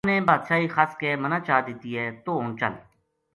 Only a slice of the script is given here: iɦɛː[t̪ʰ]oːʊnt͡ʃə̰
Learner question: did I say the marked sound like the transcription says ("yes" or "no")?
no